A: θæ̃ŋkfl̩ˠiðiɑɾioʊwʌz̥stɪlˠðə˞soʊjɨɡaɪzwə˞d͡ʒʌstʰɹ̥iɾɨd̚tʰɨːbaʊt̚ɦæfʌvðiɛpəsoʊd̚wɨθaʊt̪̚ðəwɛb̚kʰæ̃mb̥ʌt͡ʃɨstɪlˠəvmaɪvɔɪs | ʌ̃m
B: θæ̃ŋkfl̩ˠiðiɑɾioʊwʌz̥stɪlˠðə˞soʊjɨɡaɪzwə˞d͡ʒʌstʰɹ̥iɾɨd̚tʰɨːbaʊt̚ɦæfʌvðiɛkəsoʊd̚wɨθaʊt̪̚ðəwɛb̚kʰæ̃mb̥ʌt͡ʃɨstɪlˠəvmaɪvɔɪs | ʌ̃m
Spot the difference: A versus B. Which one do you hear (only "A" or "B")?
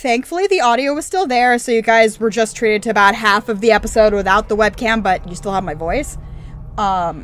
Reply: A